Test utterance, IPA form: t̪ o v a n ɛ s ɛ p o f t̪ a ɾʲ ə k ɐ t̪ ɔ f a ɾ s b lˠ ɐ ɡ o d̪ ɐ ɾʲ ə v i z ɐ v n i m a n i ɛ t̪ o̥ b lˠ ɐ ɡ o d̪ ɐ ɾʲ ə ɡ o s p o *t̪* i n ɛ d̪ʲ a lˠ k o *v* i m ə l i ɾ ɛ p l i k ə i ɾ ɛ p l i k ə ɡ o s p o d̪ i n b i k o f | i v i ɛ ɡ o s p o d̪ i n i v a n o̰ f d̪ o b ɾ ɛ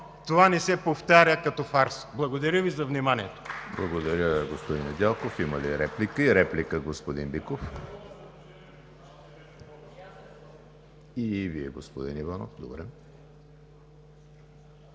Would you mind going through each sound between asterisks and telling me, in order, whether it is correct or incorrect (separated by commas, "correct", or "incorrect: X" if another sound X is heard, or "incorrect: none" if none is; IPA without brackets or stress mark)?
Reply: incorrect: d̪, incorrect: f